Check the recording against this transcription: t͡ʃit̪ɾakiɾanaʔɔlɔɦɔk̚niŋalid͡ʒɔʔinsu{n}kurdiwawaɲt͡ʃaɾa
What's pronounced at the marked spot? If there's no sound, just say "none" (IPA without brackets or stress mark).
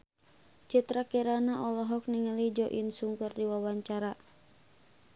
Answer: ŋ